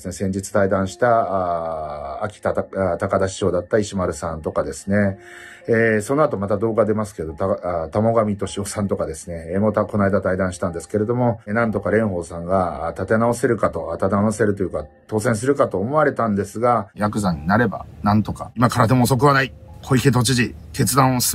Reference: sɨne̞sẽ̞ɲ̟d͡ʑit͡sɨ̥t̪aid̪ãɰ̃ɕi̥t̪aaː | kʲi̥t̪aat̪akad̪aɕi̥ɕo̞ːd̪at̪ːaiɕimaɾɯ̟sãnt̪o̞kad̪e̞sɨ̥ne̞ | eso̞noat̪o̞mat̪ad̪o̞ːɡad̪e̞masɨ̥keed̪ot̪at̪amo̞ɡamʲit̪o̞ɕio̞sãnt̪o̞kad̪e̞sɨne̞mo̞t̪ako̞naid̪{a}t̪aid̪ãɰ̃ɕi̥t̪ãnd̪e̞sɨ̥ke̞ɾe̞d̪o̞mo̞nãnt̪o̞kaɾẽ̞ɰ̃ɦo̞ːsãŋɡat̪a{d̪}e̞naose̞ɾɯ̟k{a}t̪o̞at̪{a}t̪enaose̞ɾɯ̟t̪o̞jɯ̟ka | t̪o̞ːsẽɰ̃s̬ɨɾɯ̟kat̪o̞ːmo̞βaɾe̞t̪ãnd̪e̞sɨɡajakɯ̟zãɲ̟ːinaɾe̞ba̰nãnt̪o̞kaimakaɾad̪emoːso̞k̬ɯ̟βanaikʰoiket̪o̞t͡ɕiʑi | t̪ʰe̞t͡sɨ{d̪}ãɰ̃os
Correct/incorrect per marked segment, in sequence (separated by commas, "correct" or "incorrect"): correct, incorrect, correct, correct, correct